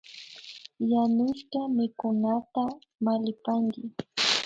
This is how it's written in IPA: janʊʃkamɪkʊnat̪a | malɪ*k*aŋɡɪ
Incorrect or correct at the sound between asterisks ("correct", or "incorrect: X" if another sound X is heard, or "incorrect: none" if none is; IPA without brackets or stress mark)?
incorrect: p